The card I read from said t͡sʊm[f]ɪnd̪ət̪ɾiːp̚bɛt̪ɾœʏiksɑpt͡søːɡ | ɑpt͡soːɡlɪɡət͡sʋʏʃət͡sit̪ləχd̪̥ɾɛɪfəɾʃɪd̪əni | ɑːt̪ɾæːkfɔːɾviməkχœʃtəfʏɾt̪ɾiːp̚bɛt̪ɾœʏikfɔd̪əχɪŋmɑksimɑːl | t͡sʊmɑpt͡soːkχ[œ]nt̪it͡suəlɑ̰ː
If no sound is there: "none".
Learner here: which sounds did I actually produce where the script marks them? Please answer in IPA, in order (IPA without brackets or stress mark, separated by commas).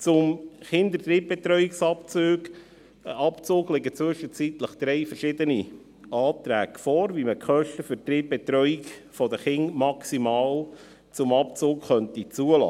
χ, œ